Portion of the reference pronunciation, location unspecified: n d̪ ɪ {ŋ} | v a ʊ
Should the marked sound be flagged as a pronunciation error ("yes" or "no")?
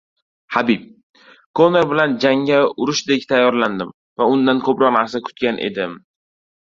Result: yes